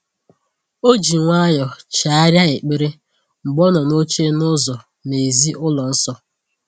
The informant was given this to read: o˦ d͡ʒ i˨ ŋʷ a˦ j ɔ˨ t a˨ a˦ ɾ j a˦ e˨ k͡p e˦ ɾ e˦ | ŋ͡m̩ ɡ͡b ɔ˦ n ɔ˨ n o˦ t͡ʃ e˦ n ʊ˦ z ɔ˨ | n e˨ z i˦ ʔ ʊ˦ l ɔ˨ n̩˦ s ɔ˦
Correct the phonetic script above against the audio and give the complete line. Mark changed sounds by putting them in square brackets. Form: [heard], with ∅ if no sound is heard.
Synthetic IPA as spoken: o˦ d͡ʒ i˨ ŋʷ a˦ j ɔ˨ [t͡ʃ] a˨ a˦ ɾ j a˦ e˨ k͡p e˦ ɾ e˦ | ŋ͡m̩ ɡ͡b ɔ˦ n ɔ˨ n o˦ t͡ʃ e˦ n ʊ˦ z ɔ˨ | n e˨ z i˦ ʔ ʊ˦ l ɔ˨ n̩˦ s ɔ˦